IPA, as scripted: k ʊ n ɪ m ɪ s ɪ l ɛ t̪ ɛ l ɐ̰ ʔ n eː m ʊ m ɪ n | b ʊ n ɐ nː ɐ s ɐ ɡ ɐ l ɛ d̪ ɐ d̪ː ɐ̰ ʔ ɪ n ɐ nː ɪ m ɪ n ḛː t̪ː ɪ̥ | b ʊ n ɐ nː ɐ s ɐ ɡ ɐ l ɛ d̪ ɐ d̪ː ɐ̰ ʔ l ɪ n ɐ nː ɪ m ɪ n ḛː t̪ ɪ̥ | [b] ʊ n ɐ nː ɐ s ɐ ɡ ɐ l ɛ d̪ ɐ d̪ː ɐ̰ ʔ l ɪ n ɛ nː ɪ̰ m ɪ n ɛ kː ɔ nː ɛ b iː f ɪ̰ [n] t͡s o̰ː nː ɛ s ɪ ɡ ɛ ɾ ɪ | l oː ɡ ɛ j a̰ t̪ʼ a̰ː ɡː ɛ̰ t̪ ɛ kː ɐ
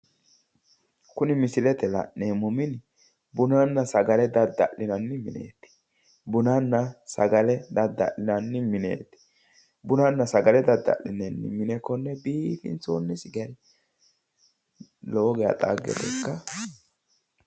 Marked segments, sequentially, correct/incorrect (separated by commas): correct, correct